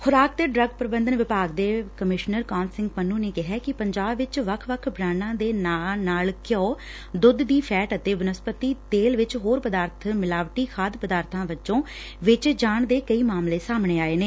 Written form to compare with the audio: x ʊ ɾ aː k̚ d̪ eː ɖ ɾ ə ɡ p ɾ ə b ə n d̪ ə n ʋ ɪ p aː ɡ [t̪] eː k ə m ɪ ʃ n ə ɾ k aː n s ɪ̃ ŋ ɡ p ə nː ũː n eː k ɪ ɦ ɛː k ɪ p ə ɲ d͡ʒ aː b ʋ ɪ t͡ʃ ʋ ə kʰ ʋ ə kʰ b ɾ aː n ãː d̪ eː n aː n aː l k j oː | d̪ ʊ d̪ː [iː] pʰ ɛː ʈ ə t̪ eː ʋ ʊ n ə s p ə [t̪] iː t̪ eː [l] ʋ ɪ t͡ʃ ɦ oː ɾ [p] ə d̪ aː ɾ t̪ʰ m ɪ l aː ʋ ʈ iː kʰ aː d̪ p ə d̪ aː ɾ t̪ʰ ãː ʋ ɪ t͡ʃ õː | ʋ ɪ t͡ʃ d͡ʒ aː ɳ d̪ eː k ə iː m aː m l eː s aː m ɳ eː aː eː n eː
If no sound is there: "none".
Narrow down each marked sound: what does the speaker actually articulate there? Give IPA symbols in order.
d̪, iː, t̪, l, p

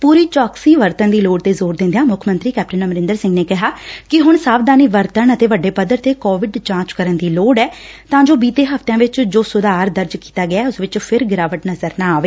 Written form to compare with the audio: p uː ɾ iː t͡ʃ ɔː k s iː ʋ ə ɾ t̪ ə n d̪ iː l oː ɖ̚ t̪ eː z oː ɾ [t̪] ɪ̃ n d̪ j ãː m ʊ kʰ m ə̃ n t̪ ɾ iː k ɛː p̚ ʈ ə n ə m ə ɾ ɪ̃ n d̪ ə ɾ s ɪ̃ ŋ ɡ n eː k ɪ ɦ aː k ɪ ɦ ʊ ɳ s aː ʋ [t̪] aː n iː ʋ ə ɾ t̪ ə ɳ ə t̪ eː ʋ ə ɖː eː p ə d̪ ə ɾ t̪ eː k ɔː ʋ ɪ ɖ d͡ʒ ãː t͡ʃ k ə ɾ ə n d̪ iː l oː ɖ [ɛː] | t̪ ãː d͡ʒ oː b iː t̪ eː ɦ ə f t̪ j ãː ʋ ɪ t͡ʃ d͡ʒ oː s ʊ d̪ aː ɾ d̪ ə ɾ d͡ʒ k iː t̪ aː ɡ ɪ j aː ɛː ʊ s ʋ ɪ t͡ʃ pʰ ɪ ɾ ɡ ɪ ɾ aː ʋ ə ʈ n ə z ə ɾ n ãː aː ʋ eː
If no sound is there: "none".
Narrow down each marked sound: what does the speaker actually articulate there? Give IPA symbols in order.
d̪, d̪, ɛː

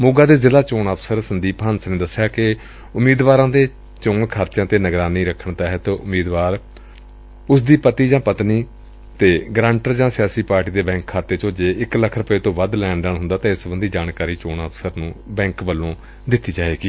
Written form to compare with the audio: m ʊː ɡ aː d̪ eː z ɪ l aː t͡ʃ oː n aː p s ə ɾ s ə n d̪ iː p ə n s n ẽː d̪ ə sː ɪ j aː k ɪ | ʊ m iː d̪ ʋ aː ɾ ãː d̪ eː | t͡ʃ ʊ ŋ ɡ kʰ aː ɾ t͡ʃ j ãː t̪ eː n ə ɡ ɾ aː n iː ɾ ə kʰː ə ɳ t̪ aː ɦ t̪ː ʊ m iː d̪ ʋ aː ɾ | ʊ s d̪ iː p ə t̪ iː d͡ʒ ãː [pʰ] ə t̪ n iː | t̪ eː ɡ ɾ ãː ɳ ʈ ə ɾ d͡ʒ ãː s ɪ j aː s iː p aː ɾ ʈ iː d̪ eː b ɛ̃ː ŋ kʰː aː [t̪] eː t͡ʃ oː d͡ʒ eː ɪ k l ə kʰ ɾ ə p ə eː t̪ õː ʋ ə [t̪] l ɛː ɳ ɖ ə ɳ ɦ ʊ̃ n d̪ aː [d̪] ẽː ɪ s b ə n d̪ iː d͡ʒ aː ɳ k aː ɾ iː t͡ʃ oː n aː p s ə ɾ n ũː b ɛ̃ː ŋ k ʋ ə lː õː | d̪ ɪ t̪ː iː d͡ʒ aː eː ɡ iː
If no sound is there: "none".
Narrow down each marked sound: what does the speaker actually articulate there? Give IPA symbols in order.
p, t̪, d̪, t̪

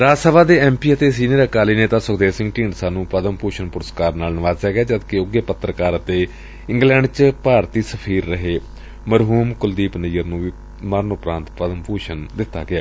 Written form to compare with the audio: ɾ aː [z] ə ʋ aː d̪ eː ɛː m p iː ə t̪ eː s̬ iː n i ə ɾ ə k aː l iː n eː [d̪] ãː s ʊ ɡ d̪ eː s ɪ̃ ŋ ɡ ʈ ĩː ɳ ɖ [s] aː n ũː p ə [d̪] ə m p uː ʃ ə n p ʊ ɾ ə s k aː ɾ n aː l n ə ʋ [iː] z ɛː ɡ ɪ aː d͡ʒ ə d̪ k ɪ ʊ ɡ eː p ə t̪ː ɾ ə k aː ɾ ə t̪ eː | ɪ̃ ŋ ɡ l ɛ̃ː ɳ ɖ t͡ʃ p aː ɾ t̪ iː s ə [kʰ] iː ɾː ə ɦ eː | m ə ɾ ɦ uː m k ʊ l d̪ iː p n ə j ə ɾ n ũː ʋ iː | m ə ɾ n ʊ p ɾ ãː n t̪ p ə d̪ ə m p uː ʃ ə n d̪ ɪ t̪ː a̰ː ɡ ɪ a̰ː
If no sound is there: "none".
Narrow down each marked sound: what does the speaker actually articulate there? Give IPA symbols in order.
s, t̪, s, d̪, aː, pʰ

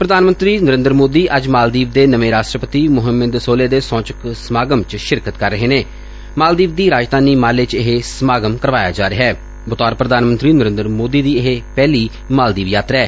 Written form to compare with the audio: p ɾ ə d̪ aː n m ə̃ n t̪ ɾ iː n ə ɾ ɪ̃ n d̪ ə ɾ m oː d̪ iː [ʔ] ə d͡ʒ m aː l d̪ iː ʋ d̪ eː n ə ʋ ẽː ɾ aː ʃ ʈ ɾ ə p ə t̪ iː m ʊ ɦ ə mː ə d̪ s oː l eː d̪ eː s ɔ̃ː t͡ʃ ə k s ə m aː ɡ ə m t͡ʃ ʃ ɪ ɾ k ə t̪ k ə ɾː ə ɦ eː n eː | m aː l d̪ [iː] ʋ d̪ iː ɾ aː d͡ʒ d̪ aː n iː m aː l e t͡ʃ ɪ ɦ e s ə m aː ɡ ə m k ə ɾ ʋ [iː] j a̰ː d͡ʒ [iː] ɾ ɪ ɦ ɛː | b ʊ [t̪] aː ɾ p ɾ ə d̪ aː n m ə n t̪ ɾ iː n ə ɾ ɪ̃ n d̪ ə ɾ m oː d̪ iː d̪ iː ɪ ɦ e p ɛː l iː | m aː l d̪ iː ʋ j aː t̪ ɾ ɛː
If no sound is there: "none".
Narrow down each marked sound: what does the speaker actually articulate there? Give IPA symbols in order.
ʔ, iː, aː, aː, t̪

